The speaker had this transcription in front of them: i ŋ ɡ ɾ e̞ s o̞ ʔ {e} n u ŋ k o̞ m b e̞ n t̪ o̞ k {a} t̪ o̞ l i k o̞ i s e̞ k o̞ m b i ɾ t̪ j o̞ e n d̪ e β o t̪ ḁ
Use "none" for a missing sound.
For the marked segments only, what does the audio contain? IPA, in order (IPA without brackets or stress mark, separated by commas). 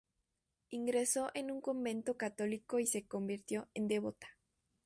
e, a